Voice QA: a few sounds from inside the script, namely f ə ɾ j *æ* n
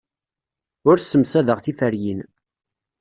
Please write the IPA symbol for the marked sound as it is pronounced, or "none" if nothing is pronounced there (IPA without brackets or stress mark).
i